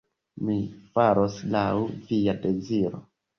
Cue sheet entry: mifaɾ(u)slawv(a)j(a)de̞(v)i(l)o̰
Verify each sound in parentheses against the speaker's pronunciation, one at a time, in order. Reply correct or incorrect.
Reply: incorrect: o, incorrect: i, correct, incorrect: z, incorrect: ɾ

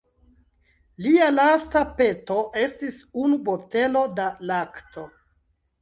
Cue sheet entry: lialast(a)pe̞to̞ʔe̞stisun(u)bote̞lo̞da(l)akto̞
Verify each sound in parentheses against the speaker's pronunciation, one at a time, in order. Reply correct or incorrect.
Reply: correct, correct, correct

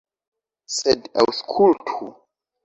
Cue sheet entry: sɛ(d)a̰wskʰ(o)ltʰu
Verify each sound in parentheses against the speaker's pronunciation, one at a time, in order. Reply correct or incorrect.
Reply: correct, incorrect: u

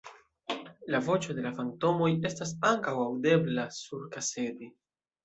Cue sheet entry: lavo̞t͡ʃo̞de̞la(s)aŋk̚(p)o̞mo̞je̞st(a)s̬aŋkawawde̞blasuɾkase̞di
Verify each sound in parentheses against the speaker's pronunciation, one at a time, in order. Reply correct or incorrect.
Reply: incorrect: f, incorrect: t, correct

